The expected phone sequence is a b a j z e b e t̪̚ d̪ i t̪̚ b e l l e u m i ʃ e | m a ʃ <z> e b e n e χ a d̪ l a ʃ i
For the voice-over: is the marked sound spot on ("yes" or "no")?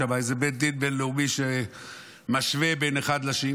no